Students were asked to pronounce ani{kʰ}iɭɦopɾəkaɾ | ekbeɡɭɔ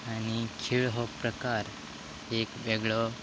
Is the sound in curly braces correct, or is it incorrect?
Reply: correct